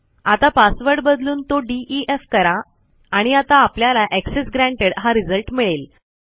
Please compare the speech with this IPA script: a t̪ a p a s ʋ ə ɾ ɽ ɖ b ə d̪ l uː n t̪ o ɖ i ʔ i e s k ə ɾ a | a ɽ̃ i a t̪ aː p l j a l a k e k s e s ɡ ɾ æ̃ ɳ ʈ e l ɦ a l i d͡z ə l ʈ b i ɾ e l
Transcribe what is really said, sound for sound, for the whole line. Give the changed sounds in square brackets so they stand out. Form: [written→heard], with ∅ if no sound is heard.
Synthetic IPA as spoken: a t̪ a p a s ʋ ə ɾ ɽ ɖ b ə d̪ l uː n t̪ o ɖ i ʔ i e [s→f] k ə ɾ a | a ɽ̃ i a t̪ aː p l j a l a [k→ʔ] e k s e s ɡ ɾ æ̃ ɳ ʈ e [l→ɽ] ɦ a [l→ɾ] i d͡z ə l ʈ [b→m] i [ɾ→ɭ] e l